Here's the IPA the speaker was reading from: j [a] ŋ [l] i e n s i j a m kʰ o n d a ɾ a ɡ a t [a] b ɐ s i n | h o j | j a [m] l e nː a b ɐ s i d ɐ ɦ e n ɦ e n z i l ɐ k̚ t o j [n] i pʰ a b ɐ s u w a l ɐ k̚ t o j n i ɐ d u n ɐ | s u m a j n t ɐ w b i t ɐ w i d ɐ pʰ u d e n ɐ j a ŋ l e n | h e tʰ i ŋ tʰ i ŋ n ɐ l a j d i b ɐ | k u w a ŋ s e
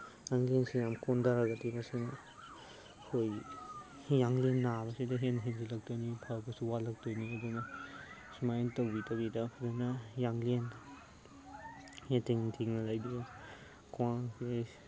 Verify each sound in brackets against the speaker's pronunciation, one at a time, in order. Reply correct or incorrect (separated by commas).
correct, correct, incorrect, incorrect, correct